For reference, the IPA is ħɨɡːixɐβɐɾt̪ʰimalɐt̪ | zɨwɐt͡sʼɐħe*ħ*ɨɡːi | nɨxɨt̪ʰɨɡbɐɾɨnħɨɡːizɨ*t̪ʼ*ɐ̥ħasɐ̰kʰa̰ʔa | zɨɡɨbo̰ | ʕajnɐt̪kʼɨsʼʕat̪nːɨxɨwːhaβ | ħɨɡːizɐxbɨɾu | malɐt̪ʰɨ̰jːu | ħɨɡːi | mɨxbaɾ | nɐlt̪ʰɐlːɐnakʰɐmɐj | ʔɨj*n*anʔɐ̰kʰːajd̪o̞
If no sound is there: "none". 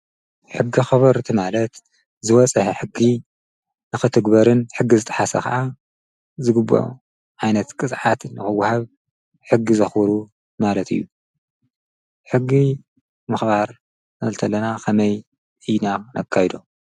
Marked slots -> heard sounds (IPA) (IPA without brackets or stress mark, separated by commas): ħ, t̪ʼ, n